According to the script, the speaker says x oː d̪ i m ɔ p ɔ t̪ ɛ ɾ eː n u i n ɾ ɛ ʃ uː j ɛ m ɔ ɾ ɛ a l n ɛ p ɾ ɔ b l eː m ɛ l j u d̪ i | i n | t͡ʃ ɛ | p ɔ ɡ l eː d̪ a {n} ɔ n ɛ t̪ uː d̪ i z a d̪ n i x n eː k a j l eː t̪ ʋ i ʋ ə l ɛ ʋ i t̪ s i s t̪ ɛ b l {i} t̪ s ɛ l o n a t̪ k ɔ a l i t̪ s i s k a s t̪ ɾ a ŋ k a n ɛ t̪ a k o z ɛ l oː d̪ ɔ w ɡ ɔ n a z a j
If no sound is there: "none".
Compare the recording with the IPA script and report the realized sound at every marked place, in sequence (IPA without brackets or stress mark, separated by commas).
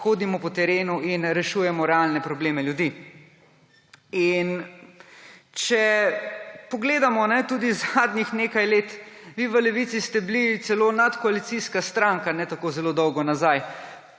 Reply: m, i